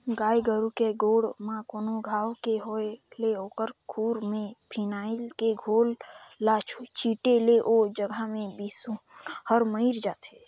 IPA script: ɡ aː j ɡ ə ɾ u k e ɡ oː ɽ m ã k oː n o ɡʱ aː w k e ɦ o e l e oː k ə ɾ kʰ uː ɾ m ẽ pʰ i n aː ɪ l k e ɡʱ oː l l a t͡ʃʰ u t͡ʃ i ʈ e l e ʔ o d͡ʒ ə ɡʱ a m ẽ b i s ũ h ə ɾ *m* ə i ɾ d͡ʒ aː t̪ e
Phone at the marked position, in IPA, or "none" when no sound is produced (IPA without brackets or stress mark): m